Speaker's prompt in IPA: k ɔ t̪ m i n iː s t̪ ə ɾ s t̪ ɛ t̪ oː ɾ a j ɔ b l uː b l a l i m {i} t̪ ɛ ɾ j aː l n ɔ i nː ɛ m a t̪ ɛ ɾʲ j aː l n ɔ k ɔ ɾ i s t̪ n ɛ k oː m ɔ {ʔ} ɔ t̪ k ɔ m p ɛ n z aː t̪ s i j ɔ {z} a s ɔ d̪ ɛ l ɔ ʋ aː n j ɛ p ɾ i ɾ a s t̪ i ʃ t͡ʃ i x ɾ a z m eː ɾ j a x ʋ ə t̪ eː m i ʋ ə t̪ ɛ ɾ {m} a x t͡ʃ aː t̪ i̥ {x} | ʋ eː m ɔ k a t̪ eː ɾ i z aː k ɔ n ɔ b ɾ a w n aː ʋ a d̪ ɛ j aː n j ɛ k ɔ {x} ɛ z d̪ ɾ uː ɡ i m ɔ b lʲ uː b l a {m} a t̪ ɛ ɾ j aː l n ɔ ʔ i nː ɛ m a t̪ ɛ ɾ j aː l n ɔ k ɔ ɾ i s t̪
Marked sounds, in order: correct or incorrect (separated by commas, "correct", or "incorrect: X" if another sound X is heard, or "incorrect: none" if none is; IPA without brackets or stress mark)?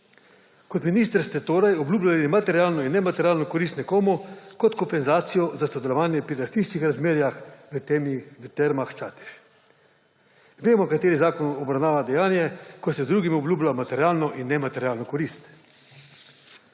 incorrect: a, incorrect: k, correct, correct, incorrect: ʃ, incorrect: s, correct